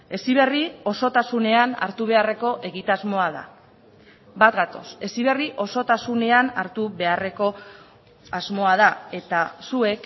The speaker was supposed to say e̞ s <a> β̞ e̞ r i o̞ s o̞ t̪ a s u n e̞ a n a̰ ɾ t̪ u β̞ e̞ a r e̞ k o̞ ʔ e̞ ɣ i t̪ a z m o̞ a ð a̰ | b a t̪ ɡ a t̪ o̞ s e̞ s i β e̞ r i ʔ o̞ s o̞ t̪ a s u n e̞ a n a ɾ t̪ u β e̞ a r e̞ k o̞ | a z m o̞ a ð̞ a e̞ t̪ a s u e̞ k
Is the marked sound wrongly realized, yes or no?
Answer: yes